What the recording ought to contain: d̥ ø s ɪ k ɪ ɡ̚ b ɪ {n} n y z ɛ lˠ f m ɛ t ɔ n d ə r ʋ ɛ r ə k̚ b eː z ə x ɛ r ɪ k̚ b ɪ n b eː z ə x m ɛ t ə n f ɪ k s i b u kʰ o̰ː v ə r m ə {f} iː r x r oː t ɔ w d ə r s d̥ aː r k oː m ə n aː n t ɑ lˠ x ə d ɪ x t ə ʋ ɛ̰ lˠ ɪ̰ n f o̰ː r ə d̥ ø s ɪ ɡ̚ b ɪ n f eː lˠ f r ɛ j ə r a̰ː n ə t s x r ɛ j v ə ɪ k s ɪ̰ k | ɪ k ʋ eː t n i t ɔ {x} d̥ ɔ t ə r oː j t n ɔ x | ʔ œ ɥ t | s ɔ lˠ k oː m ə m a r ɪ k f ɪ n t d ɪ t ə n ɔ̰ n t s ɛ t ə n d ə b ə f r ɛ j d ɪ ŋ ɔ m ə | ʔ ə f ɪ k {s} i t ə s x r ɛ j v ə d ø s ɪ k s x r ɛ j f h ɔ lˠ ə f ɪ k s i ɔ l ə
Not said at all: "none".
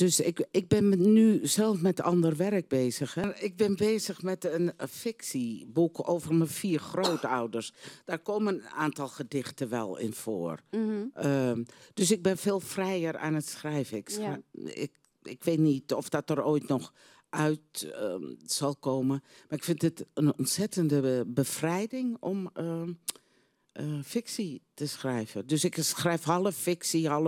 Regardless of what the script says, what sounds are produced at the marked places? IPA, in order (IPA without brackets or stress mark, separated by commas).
n, f, f, s